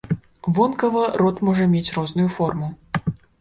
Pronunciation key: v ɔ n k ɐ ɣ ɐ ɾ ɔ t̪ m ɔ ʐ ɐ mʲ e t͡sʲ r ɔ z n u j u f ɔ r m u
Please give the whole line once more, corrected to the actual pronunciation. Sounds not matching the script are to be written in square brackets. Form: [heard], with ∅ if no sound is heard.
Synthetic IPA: v ɔ n k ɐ [v] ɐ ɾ ɔ t̪ m ɔ ʐ ɐ mʲ e t͡sʲ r ɔ z n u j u f ɔ r m u